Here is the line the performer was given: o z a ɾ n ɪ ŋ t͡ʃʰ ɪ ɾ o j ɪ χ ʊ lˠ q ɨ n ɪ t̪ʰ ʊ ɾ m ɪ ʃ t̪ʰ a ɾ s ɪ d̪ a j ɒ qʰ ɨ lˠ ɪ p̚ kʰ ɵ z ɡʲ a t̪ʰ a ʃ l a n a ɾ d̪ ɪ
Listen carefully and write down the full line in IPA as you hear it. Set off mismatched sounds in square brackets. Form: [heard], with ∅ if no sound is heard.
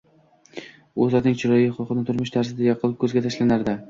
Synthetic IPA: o z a ɾ n ɪ ŋ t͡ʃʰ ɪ ɾ [ɒ] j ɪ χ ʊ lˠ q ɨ n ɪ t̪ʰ ʊ ɾ m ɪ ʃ t̪ʰ a ɾ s ɪ d̪ a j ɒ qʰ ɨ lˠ ɪ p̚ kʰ ɵ z ɡʲ a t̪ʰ a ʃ l a n a ɾ d̪ ɪ